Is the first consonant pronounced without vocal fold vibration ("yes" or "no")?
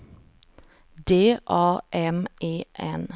no